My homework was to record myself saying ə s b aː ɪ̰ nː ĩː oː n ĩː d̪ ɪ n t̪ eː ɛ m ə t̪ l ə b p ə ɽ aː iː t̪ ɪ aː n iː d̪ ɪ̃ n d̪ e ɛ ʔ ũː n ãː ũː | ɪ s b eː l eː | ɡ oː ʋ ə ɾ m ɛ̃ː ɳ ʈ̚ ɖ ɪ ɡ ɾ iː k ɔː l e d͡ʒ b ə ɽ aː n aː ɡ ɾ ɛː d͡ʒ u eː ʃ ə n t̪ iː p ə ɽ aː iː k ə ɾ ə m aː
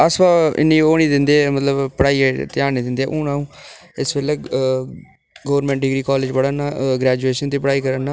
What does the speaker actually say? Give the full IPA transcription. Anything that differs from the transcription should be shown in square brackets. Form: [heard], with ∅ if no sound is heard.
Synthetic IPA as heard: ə s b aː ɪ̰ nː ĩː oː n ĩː d̪ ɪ n [d̪] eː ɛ m ə t̪ l ə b p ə ɽ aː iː t̪ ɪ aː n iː d̪ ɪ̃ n d̪ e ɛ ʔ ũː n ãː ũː | ɪ s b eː l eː | ɡ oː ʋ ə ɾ m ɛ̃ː ɳ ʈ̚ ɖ ɪ ɡ ɾ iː k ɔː l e d͡ʒ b ə ɽ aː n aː ɡ ɾ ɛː d͡ʒ u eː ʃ ə n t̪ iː p ə ɽ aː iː k ə ɾ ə [n] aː

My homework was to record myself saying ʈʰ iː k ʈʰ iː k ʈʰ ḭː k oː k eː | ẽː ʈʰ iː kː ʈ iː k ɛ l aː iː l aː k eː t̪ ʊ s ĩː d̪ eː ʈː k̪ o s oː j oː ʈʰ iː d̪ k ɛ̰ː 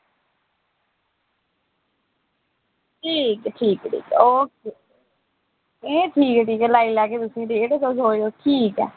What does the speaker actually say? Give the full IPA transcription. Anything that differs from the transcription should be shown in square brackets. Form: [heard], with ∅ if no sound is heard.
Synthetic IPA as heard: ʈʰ iː k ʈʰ iː k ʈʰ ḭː k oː k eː | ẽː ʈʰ iː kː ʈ iː k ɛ l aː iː l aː k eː t̪ ʊ s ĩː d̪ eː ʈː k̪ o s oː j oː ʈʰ iː [∅] k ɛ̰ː

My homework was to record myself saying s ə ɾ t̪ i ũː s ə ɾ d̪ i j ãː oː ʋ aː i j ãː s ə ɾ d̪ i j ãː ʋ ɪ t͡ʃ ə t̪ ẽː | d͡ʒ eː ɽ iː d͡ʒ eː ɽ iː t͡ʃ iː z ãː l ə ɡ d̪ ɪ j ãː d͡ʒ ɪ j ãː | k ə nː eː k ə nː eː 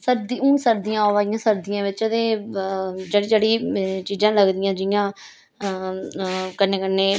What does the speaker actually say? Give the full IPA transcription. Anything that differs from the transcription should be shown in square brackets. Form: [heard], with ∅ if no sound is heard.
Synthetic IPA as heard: s ə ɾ [d̪] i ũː s ə ɾ d̪ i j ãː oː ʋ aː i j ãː s ə ɾ d̪ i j ãː ʋ ɪ t͡ʃ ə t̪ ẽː | d͡ʒ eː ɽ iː d͡ʒ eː ɽ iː t͡ʃ iː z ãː l ə ɡ d̪ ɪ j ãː d͡ʒ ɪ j ãː | k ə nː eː k ə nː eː

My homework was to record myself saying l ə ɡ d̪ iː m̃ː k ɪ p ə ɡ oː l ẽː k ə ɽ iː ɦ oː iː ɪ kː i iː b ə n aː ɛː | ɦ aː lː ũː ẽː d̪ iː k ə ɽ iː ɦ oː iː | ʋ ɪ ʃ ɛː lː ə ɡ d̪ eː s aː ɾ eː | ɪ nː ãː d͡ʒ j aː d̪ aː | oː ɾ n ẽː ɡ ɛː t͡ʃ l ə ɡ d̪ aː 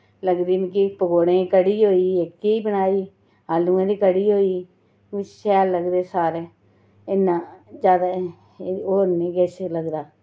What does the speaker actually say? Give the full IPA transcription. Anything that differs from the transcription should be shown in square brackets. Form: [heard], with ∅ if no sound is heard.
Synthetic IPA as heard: l ə ɡ d̪ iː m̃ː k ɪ p ə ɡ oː [ɽ] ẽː k ə ɽ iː ɦ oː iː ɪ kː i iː b ə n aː [iː] | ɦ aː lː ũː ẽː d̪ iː k ə ɽ iː ɦ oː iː | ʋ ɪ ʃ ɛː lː ə ɡ d̪ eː s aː ɾ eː | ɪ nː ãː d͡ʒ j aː d̪ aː | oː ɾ n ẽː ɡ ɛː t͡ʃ l ə ɡ d̪ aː

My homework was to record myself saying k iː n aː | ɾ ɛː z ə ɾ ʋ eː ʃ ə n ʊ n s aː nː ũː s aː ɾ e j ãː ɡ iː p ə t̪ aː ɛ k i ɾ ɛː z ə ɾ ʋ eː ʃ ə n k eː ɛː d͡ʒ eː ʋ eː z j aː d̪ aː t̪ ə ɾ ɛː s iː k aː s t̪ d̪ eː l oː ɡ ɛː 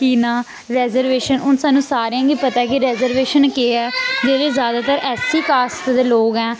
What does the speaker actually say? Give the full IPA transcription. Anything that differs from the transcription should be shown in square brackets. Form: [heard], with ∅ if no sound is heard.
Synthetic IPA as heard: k iː n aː | ɾ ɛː z ə ɾ ʋ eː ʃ ə n ʊ n s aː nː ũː s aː ɾ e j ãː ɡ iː p ə t̪ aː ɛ k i ɾ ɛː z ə ɾ ʋ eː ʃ ə n k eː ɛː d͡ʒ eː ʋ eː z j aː d̪ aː t̪ ə ɾ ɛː s iː k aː s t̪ d̪ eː l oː ɡ ɛː

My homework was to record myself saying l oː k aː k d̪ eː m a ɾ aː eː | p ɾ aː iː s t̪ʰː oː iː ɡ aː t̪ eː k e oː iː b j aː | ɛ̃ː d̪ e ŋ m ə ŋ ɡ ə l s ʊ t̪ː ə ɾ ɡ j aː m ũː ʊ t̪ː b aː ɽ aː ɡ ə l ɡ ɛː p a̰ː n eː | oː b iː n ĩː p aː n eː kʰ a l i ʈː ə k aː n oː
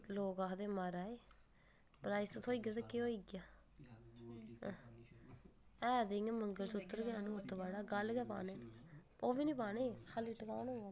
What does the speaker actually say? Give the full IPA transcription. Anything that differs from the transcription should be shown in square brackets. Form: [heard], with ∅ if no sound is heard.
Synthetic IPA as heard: l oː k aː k d̪ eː m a ɾ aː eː | p ɾ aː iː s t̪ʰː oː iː ɡ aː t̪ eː k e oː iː [ɡ] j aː | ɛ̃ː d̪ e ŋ m ə ŋ ɡ ə l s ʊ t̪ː ə ɾ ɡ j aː [n] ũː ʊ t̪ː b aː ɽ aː ɡ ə l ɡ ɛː p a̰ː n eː | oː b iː n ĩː p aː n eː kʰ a l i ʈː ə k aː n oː

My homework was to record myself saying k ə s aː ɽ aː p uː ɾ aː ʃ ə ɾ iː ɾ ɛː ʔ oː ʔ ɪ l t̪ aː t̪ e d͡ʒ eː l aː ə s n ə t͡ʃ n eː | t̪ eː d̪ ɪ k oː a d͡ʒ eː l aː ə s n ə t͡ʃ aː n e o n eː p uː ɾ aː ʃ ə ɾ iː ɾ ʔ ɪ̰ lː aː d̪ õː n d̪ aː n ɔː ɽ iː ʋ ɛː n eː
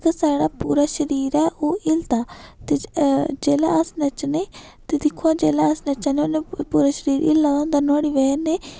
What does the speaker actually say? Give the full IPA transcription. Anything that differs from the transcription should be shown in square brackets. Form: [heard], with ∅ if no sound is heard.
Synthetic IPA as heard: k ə s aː ɽ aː p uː ɾ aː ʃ ə ɾ iː ɾ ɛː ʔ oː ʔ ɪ l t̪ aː t̪ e d͡ʒ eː l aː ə s n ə t͡ʃ n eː | t̪ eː d̪ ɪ [kʰ] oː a d͡ʒ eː l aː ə s n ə t͡ʃ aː n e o n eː p uː ɾ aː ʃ ə ɾ iː ɾ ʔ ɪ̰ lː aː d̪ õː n d̪ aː n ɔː ɽ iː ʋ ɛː n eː

